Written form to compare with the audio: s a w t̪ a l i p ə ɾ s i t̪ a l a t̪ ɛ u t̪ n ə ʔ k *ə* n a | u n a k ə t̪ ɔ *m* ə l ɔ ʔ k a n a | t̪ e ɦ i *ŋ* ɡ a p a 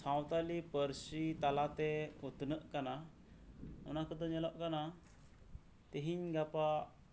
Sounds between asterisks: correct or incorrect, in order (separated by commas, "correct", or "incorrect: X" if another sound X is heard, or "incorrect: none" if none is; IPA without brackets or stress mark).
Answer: incorrect: a, incorrect: ɲ, incorrect: ɲ